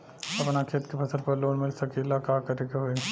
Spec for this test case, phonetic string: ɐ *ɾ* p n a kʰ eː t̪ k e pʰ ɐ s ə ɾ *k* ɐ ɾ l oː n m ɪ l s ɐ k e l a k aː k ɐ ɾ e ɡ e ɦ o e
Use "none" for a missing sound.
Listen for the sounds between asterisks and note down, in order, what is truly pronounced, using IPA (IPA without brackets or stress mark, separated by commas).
none, p